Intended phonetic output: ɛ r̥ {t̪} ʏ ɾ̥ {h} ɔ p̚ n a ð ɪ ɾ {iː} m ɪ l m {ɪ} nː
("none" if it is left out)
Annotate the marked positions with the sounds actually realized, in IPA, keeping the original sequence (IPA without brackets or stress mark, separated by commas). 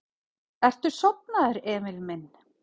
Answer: t̪, s, ɛː, ɪ